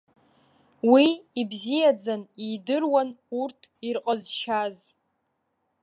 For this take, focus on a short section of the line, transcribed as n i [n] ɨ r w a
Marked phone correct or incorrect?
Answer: incorrect